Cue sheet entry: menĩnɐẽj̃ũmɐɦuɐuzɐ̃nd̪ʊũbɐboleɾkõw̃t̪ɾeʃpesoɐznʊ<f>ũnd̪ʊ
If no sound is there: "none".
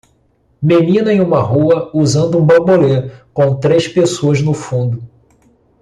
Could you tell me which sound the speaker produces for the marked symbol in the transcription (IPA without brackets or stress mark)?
f